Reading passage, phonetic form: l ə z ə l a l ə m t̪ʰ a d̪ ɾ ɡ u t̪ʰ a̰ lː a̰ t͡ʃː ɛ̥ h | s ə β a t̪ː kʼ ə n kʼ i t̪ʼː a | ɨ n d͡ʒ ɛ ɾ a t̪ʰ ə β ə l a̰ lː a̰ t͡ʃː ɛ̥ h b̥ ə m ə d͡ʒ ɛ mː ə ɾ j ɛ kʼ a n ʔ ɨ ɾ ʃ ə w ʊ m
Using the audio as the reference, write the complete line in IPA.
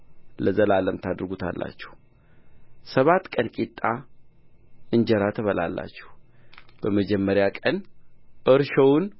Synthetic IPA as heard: l ə z ə l a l ə m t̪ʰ a d̪ ɾ ɡ u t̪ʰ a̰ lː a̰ t͡ʃː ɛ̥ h | s ə β a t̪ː kʼ ə n kʼ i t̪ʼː a | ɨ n d͡ʒ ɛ ɾ a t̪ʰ ə β ə l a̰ lː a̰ t͡ʃː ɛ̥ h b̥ ə m ə d͡ʒ ɛ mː ə ɾ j a kʼ ə n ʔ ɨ ɾ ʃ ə w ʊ n